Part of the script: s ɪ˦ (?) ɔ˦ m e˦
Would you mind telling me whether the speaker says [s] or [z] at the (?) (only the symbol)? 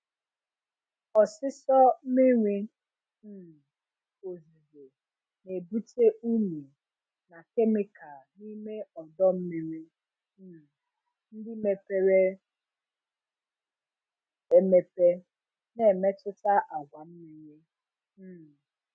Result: s